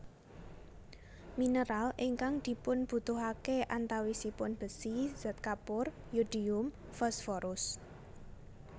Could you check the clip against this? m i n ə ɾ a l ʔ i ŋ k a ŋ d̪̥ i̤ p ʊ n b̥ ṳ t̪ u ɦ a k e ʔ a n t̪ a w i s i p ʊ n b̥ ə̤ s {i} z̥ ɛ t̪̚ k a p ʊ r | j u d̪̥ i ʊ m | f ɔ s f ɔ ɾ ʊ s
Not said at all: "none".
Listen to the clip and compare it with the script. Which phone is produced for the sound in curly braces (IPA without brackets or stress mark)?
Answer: i